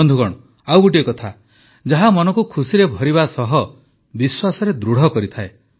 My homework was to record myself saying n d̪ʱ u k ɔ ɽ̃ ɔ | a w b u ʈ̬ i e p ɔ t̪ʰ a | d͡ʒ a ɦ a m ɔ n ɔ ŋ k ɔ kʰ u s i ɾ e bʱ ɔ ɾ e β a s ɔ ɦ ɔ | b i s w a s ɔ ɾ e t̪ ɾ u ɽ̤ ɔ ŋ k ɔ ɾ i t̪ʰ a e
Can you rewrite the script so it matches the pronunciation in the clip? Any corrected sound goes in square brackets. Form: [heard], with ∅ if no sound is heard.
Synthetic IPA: n d̪ʱ u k ɔ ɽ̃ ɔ | a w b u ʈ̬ i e [k] ɔ t̪ʰ a | d͡ʒ a ɦ a m ɔ n ɔ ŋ k [u] kʰ u s i ɾ e bʱ ɔ ɾ [i] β a s ɔ ɦ ɔ | b i s w a s ɔ ɾ e [d̪] ɾ u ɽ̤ ɔ [∅] k ɔ ɾ i t̪ʰ a e